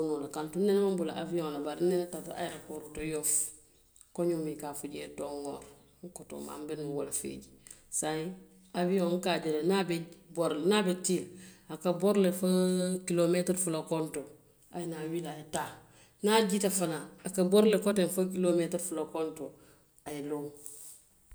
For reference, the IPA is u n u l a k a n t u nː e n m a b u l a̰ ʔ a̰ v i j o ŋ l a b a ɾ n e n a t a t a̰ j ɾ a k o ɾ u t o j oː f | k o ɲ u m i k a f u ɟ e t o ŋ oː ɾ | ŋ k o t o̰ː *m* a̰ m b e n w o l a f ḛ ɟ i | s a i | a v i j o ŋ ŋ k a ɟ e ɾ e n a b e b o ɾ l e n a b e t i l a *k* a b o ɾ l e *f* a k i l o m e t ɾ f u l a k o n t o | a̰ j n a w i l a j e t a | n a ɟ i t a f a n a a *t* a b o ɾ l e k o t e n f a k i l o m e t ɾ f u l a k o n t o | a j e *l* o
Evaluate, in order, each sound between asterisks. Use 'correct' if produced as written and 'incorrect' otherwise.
correct, correct, correct, incorrect: k, correct

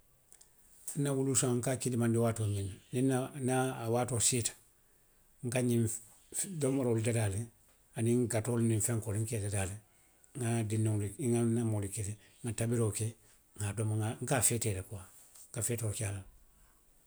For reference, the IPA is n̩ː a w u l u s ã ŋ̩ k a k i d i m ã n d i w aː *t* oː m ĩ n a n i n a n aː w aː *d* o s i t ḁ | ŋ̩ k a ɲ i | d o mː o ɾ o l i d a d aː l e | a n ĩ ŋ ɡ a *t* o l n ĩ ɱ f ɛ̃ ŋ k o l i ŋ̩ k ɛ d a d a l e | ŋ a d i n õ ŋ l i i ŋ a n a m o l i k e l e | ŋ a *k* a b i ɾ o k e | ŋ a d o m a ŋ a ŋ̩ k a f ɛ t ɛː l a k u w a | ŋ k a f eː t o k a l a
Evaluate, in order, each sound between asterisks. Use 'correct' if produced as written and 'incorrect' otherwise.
correct, incorrect: t, correct, incorrect: t

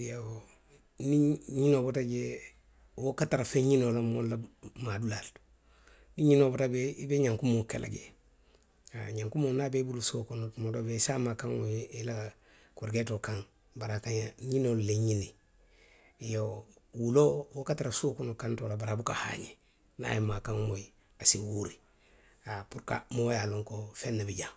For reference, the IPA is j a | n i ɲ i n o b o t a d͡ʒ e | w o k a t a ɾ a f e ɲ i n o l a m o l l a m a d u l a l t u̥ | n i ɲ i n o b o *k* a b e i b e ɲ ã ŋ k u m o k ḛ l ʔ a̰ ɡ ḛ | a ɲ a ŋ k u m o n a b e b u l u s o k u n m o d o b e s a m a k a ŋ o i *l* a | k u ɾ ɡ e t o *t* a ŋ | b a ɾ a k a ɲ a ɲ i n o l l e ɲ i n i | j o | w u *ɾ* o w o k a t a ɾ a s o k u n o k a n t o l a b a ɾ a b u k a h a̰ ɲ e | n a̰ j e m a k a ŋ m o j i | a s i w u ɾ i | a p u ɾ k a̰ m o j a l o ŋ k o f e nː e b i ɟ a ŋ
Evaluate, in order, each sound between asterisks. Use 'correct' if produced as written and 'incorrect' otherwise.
incorrect: t, correct, incorrect: k, incorrect: l

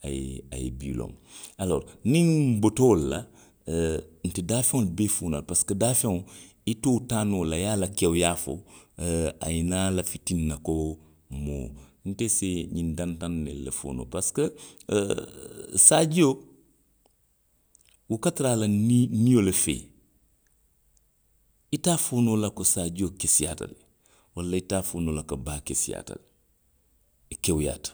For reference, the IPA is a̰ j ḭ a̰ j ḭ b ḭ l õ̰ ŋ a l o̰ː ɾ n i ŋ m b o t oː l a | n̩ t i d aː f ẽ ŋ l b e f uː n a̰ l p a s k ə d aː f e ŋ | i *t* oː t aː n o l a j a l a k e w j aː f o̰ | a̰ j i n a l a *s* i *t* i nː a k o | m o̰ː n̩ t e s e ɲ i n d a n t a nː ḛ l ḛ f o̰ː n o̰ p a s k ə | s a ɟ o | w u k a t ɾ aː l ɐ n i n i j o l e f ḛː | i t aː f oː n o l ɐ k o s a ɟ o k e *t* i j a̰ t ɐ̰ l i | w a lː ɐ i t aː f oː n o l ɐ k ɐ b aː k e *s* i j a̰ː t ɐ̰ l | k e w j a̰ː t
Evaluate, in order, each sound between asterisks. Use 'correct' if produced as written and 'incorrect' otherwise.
correct, incorrect: f, correct, incorrect: s, correct

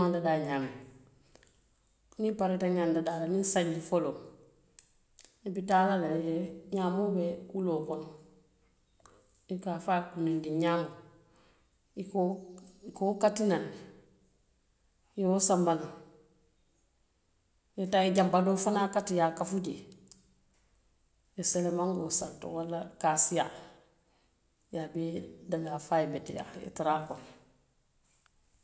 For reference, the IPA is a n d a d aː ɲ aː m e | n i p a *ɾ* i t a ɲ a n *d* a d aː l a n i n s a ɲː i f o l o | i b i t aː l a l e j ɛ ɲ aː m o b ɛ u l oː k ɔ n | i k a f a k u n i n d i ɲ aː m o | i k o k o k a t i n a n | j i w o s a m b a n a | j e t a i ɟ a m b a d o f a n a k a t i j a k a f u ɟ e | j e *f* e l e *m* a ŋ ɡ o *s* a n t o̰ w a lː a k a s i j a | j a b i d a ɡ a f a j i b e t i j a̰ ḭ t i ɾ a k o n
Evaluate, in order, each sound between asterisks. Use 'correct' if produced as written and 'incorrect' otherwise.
correct, correct, incorrect: s, correct, correct

